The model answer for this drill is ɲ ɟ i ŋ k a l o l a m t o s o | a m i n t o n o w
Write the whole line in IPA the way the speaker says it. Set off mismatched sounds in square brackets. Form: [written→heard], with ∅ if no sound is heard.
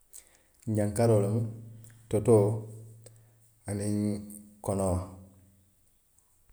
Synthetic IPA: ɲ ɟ [i→a] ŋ k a [l→ɾ] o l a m t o [s→t] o | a [m→n] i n [t→k] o n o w